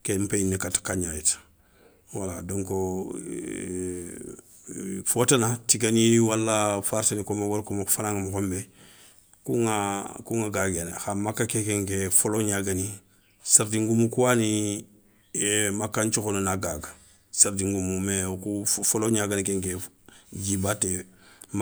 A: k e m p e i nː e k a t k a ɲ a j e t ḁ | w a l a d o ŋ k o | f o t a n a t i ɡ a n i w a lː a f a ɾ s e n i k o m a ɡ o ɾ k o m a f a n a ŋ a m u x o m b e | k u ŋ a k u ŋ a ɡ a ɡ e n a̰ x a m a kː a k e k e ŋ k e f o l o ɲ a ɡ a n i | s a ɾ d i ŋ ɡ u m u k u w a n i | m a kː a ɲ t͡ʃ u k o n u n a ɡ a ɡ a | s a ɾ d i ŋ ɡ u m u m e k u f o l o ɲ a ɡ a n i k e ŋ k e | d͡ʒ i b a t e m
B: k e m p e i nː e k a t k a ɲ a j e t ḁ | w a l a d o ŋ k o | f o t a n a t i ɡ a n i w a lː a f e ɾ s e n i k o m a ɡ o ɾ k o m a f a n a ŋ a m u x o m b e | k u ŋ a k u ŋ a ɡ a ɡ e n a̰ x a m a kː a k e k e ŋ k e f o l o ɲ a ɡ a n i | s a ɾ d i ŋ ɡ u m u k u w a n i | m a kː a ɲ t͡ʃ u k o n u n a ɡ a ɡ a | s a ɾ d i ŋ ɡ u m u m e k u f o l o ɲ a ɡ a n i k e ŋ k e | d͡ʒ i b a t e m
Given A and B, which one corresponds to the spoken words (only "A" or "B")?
A